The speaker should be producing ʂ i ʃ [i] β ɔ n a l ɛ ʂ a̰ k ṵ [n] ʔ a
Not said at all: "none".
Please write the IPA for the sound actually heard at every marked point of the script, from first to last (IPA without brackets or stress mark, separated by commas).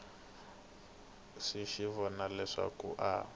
i, none